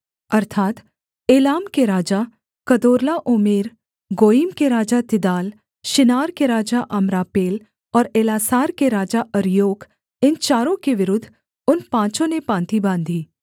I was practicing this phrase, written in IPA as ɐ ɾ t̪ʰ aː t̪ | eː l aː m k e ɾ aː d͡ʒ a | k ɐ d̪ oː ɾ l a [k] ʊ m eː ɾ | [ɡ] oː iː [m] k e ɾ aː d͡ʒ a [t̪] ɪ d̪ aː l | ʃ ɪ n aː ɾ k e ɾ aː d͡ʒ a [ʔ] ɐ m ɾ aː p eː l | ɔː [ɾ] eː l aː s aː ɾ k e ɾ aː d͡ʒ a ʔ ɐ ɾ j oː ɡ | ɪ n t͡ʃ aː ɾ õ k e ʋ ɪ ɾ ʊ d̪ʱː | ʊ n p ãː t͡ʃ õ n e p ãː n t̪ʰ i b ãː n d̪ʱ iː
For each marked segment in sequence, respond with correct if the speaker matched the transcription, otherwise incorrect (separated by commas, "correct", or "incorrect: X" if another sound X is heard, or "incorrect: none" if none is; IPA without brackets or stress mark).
incorrect: ʔ, correct, correct, correct, correct, correct